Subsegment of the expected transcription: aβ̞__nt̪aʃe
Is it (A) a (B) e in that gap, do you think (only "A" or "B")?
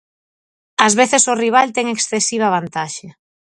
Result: A